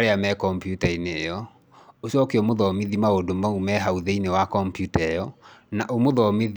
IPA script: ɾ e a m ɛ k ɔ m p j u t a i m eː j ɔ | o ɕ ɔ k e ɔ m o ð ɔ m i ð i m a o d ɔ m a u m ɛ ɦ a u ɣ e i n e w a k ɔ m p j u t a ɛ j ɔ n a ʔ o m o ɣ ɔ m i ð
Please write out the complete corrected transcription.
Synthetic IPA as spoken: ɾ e a m ɛ k ɔ m p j u t a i n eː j ɔ | o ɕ ɔ k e ɔ m o ð ɔ m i ð i m a o d o m a u m ɛ ɦ a u ð e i n e w a k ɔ m p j u t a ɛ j ɔ n a ʔ o m o ð ɔ m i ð